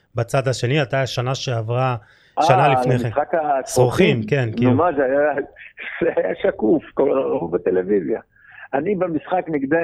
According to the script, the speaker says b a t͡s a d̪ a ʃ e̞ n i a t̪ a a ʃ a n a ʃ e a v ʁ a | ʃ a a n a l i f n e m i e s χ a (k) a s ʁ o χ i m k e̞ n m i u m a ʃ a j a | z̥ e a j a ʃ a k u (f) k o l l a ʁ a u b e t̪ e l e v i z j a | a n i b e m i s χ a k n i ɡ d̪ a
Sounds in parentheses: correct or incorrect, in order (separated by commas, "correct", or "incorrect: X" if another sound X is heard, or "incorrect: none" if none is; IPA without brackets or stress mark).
correct, correct